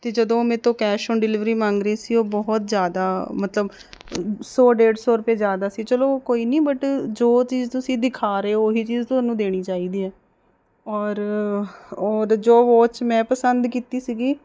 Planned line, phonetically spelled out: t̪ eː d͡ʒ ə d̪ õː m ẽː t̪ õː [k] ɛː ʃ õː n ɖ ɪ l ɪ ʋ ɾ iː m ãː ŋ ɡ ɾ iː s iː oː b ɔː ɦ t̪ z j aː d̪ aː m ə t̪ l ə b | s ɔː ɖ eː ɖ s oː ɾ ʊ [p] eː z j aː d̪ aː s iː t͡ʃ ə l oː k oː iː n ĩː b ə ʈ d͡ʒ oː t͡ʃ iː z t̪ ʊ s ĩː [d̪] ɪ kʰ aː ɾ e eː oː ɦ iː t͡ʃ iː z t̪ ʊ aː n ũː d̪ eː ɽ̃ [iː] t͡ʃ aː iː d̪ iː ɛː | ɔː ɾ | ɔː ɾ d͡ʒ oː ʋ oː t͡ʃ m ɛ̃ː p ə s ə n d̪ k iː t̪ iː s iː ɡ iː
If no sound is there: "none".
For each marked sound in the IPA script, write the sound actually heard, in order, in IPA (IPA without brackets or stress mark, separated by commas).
k, p, d̪, iː